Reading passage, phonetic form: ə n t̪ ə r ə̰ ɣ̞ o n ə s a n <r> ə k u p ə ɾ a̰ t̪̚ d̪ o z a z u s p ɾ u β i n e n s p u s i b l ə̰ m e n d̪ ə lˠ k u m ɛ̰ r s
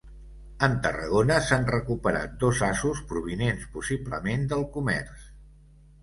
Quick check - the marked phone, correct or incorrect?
correct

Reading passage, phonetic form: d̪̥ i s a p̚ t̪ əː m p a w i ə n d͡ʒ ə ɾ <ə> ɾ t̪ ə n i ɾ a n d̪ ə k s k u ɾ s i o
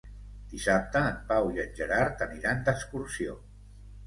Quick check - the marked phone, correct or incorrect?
incorrect: a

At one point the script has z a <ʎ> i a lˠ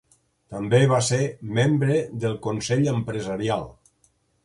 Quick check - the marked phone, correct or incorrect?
incorrect: ɾ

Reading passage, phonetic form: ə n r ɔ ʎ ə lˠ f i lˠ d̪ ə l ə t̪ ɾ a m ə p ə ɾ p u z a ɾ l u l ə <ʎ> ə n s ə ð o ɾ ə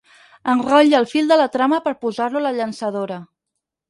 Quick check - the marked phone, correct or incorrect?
correct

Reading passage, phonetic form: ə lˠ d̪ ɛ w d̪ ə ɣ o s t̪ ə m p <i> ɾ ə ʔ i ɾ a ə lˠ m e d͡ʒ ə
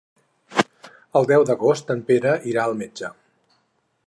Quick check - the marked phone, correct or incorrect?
incorrect: e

